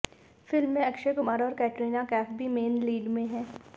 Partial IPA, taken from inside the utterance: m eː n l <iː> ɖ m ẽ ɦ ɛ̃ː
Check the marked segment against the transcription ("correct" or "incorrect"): correct